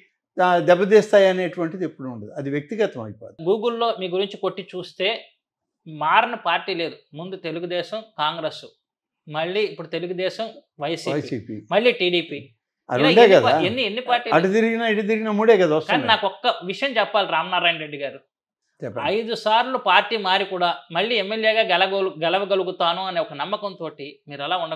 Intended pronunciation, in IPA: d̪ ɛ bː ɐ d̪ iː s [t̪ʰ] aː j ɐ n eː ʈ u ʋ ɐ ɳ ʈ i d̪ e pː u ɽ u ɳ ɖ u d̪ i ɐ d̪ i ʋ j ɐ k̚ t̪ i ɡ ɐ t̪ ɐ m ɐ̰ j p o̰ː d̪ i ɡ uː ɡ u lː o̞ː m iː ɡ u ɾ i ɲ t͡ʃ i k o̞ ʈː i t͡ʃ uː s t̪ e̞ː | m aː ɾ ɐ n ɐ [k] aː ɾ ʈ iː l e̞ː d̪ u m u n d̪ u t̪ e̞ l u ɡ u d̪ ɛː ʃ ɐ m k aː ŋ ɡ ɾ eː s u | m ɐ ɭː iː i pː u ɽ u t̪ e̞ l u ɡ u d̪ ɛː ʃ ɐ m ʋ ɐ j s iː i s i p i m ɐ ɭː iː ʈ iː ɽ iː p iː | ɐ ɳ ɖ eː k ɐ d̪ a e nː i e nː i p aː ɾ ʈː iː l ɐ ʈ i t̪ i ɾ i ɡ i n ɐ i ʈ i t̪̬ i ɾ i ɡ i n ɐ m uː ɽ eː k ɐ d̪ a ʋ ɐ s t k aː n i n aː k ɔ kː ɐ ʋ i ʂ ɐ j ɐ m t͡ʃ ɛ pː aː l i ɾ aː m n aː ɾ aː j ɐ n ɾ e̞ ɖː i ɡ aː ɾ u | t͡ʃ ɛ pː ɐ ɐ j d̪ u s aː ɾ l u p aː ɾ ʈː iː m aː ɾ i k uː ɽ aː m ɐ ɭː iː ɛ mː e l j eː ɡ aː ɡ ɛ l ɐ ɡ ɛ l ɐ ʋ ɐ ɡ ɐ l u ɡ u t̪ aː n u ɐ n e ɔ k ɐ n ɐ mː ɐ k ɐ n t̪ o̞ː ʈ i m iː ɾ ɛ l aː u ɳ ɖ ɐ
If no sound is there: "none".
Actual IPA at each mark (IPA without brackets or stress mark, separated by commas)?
t̪, p